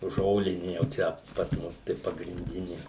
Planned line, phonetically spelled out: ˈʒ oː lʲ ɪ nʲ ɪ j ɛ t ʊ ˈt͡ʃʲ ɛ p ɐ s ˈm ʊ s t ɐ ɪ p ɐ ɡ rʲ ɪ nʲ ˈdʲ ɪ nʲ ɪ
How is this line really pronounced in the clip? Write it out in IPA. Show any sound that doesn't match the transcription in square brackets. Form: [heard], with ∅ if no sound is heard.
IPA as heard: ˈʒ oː lʲ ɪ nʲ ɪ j ɛ [∅] ʊ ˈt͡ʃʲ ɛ p ɐ s ˈm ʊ s t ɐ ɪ p ɐ ɡ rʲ ɪ nʲ ˈdʲ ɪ nʲ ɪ